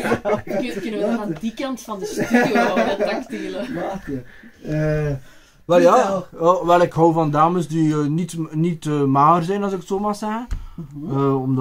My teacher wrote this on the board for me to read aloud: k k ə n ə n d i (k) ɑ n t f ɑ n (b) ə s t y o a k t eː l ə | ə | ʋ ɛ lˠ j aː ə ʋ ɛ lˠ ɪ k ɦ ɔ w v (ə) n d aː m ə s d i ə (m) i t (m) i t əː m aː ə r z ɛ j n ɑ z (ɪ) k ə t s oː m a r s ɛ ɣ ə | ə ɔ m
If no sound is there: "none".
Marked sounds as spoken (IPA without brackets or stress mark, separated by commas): k, d, ɑ, n, n, ɪ